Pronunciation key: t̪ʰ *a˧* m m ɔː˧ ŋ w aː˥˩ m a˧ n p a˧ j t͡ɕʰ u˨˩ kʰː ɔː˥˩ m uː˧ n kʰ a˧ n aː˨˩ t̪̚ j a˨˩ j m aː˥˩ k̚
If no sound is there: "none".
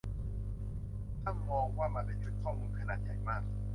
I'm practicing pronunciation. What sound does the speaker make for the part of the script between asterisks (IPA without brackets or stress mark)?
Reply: a˥˩